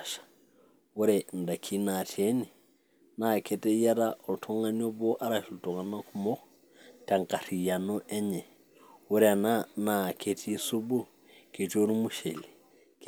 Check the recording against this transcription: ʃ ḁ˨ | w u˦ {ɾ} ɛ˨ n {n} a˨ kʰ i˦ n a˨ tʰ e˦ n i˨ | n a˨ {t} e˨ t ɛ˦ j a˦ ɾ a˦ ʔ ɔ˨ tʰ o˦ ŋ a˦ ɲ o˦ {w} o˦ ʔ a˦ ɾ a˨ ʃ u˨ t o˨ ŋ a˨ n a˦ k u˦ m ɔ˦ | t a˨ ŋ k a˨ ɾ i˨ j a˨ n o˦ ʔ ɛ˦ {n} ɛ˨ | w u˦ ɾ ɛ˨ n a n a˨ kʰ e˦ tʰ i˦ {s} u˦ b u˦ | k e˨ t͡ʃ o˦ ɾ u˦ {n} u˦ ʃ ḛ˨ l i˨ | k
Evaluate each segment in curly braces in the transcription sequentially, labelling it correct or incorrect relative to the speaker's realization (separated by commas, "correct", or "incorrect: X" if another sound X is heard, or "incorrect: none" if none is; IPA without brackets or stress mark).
correct, incorrect: d, incorrect: k, incorrect: b, incorrect: ɲ, correct, incorrect: m